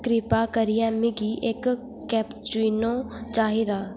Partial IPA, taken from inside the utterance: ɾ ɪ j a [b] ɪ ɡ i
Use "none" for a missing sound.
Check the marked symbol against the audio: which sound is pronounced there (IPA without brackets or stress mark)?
m